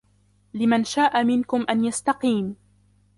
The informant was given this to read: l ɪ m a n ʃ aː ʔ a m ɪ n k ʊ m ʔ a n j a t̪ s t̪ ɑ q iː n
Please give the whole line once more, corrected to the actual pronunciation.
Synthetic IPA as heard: l ɪ m a n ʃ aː ʔ a m ɪ n k ʊ m ʔ a n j a s t̪ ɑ q iː m